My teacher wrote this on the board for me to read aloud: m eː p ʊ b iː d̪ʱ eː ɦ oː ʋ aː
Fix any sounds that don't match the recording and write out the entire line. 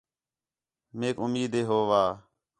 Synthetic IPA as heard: m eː k ʊ m iː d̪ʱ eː ɦ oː ʋ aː